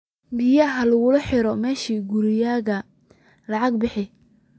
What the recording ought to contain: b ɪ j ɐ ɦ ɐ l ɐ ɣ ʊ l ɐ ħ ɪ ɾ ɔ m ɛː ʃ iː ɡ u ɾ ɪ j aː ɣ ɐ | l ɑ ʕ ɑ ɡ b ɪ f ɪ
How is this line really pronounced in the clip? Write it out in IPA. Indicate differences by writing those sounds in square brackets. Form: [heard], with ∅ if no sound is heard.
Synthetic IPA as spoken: b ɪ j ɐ ɦ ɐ l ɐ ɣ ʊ l ɐ ħ ɪ ɾ ɔ m ɛː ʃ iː ɡ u ɾ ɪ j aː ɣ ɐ | l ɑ ʕ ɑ ɡ b ɪ [ħ] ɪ